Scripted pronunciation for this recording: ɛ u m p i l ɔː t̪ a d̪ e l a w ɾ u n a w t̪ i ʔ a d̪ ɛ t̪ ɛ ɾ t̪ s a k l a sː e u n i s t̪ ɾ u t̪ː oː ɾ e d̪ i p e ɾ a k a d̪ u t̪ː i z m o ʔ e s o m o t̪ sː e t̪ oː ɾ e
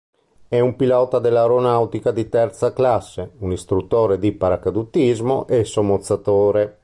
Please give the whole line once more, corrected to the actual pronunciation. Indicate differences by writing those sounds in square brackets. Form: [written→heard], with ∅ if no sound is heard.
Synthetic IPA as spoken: ɛ u m p i l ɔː t̪ a d̪ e l a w ɾ [u→o] n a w t̪ i [ʔ→k] a d̪ [ɛ→i] t̪ ɛ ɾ t̪ s a k l a sː e u n i s t̪ ɾ u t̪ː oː ɾ e d̪ i p [e→a] ɾ a k a d̪ u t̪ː i z m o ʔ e s o m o t̪ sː [e→a] t̪ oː ɾ e